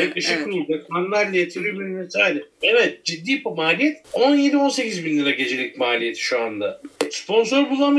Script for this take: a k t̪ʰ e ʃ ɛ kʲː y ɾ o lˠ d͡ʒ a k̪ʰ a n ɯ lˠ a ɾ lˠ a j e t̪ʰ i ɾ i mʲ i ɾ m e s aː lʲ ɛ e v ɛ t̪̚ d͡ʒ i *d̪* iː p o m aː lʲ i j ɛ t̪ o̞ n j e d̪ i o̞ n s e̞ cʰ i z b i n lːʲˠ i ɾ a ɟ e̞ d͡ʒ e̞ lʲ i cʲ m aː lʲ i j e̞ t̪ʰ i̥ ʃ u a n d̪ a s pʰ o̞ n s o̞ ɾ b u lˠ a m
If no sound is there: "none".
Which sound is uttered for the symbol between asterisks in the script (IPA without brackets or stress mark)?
d̪ː